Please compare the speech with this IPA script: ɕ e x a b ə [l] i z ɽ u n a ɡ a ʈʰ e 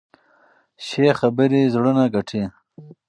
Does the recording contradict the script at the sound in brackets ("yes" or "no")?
yes